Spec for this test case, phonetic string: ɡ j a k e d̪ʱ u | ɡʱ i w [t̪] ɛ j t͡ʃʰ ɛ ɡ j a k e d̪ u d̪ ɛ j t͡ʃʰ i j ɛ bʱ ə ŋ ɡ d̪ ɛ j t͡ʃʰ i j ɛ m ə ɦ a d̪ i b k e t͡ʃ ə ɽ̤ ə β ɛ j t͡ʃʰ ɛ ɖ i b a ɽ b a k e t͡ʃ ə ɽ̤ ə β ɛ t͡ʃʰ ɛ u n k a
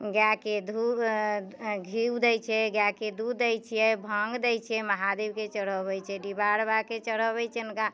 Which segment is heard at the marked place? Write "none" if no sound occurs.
d̪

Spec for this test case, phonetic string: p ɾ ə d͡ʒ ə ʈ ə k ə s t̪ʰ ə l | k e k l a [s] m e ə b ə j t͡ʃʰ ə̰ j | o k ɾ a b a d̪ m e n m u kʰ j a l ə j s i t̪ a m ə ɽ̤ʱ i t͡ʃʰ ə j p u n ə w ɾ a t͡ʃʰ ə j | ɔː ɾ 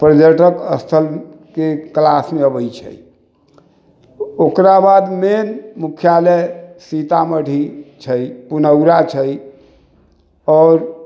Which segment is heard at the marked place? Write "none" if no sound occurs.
s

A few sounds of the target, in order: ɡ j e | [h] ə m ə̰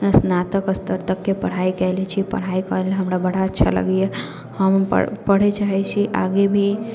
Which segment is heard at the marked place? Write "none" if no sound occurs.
h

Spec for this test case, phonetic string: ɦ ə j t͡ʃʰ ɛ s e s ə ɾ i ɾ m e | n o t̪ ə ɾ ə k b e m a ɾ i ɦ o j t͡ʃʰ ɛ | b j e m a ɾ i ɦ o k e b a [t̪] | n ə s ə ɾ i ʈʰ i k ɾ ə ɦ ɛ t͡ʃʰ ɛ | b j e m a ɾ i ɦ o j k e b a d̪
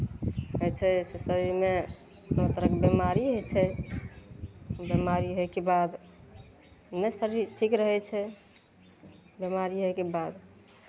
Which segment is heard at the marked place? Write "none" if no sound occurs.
d̪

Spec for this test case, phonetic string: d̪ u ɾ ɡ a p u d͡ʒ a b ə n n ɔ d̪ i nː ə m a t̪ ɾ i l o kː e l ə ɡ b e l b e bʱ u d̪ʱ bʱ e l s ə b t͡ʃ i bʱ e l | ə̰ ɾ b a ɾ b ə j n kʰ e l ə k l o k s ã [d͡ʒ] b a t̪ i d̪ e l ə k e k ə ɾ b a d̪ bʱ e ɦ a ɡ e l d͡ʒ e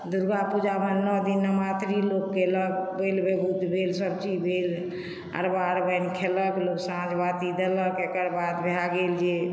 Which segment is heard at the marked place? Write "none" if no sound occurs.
d͡ʒ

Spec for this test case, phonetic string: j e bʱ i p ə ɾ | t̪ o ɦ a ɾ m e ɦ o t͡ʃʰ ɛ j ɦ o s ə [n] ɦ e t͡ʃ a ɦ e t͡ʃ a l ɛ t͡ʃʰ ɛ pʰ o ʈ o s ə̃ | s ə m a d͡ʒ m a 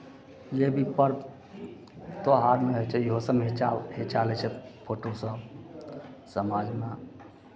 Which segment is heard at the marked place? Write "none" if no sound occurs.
m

